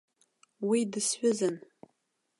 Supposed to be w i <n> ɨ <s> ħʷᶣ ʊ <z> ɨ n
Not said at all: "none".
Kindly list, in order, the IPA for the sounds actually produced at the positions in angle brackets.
d, s, z

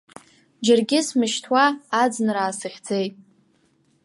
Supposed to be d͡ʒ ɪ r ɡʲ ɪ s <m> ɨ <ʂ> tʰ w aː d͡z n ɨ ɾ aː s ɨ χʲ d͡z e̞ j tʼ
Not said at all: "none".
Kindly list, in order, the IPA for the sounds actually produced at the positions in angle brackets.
m, ʃ

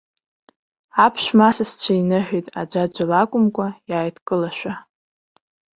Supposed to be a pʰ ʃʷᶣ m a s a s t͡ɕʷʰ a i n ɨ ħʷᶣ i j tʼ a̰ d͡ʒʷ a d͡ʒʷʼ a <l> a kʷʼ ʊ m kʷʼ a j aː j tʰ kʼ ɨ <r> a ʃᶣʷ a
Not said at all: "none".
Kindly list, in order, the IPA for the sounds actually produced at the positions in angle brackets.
l, l

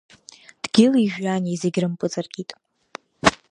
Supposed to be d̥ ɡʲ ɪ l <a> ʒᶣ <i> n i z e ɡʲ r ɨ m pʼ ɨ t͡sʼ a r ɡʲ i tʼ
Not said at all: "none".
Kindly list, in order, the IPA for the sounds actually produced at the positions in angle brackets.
i, a

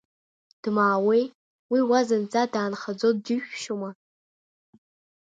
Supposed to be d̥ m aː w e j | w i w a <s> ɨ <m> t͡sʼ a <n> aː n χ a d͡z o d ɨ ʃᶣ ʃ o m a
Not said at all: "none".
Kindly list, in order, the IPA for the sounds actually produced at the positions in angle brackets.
z, n, d

